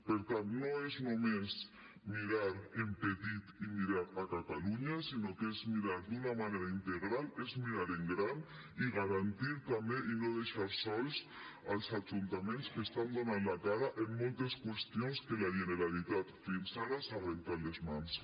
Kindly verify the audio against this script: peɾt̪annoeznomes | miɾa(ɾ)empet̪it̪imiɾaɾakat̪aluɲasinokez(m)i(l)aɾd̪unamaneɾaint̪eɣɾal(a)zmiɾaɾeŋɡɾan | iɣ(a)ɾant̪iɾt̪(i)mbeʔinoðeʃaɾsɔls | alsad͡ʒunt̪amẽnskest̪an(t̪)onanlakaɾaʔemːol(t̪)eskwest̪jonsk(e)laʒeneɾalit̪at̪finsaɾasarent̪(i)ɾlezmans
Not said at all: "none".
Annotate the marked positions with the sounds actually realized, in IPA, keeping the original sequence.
ɾ, m, ɾ, e, a, a, d̪, t̪, e, a

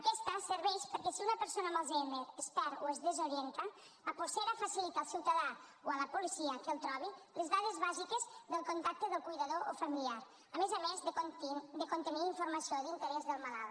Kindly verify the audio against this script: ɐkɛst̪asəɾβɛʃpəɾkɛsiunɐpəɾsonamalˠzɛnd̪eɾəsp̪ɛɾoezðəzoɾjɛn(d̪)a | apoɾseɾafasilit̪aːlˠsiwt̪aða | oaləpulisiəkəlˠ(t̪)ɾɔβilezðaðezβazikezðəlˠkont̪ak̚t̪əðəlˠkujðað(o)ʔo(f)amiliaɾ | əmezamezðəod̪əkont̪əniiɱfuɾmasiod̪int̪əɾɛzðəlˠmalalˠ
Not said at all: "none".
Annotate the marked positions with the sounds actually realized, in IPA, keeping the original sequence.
t̪, t̪, o, f

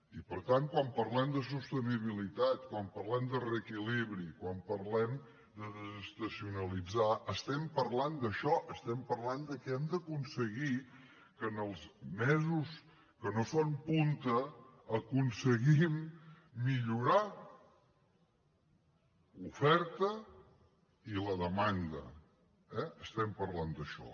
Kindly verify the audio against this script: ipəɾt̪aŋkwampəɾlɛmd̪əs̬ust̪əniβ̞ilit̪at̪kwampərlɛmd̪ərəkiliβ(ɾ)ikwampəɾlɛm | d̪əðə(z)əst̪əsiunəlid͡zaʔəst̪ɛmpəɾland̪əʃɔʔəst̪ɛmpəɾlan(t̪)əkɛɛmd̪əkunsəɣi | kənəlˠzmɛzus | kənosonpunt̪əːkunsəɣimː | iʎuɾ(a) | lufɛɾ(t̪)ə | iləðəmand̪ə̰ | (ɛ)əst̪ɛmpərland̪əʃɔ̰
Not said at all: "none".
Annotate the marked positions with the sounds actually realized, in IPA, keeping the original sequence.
ɾ, z, d̪, a, t̪, ɛ

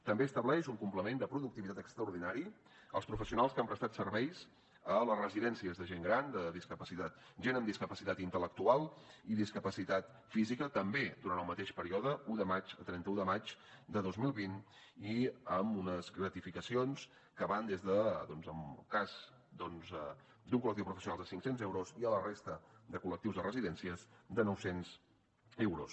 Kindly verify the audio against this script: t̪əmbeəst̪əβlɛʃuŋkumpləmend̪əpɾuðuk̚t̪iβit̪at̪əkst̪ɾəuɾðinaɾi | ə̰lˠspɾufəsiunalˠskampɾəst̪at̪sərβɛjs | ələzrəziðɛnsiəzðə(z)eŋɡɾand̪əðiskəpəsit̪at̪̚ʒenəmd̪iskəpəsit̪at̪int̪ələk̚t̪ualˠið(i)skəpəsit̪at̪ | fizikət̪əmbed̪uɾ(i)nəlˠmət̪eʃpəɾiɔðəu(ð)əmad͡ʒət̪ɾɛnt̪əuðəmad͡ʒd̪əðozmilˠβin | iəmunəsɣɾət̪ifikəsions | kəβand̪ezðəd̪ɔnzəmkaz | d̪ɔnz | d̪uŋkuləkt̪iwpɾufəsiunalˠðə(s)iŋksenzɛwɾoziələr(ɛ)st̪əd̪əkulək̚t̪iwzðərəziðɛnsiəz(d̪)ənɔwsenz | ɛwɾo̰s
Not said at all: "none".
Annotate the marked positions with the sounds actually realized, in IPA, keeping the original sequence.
ʒ, i, a, ð, s, e, d̪

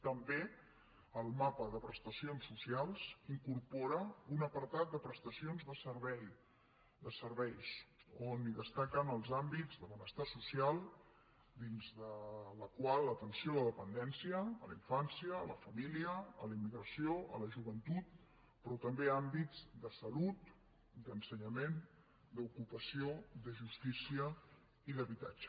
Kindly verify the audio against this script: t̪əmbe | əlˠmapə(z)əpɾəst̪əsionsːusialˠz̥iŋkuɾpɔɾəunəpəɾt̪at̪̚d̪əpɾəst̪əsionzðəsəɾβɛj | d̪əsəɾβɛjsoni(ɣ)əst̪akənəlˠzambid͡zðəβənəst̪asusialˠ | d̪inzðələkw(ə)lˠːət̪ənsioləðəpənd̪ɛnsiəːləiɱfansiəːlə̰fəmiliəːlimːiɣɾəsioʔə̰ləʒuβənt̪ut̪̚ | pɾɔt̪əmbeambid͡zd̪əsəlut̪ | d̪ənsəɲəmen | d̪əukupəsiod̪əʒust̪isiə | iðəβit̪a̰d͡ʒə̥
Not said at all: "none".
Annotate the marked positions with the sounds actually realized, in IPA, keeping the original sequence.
ð, ð, a

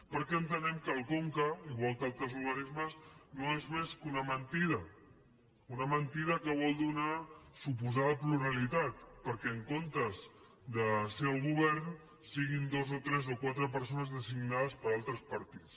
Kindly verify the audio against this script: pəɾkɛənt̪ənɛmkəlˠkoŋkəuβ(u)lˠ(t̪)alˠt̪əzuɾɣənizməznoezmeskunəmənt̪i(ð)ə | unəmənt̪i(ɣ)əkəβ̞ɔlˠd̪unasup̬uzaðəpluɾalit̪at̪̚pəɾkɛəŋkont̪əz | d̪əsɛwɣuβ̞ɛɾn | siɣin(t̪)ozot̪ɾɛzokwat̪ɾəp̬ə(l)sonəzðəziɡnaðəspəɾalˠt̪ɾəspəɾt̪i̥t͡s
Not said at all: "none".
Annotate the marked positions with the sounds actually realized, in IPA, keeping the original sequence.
ɔ, t̪, ð, ð, d̪, ɾ

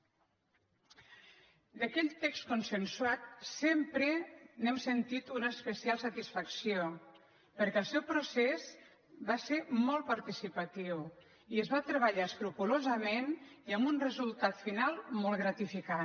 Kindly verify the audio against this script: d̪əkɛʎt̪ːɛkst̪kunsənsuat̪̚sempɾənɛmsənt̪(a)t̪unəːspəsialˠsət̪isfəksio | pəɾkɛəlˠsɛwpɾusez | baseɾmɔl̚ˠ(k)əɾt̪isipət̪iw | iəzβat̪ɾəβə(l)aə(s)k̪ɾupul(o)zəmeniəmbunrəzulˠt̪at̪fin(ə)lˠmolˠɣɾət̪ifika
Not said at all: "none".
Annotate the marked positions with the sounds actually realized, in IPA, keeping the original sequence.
i, p, ʎ, s, o, a

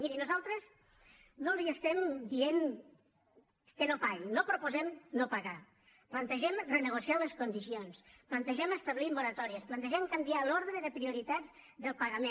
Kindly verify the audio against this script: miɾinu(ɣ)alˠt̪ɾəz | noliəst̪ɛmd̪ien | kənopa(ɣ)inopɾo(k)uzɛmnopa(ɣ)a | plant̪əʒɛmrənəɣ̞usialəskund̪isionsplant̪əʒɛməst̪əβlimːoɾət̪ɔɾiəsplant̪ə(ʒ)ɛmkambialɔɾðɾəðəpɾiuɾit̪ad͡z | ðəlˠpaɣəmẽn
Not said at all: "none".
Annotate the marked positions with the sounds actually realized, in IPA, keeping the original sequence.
z, ɣ, p, ɣ, ʒ

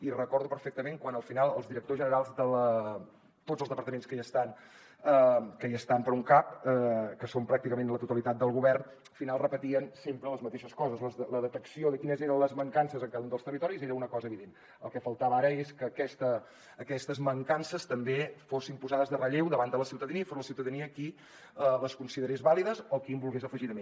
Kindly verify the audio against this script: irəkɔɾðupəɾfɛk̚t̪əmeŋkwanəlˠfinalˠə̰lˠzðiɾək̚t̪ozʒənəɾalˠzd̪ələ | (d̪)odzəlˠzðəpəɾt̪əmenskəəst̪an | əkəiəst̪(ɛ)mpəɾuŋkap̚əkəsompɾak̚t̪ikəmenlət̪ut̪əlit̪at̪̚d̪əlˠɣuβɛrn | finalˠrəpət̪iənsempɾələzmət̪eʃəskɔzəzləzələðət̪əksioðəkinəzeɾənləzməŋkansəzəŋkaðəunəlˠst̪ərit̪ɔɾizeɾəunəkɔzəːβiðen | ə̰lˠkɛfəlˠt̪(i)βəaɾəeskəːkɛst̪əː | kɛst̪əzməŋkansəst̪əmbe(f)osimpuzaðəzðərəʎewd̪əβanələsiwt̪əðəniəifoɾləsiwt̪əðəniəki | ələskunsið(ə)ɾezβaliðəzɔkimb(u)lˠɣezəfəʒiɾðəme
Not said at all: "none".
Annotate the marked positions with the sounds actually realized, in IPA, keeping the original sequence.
t̪, a, a, f, ə, u

